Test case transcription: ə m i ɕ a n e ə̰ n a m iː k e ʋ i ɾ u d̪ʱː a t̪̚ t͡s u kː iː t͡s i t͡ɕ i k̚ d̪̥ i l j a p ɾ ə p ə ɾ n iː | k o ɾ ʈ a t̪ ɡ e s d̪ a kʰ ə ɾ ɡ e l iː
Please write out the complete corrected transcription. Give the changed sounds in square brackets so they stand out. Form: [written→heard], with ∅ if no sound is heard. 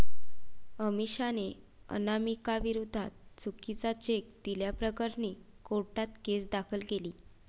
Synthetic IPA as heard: ə m i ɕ a n e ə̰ n a m [iː→i] k [e→a] ʋ i ɾ u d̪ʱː a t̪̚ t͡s u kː [iː→i] t͡s [i→a] t͡ɕ [i→e] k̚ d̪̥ i l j a p ɾ ə [p→k] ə ɾ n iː | k o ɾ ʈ a t̪ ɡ e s d̪ a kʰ ə [ɾ→l] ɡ e l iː